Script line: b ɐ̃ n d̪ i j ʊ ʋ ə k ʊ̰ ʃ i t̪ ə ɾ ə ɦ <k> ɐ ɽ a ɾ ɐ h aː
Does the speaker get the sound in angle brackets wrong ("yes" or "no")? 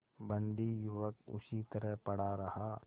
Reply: yes